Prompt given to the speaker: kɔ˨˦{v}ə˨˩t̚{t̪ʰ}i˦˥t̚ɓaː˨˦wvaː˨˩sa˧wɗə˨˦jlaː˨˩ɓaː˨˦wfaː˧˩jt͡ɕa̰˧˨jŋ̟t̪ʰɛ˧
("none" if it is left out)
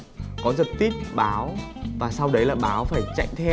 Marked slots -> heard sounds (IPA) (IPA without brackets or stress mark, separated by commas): z, t̪